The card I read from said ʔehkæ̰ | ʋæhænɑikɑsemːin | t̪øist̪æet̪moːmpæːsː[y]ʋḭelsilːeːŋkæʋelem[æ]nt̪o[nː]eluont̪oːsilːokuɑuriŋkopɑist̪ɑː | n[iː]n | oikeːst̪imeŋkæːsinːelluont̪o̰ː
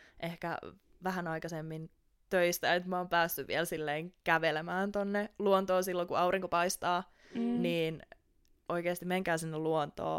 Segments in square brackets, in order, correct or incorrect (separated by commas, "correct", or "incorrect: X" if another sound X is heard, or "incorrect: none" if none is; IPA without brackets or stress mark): correct, incorrect: æː, correct, correct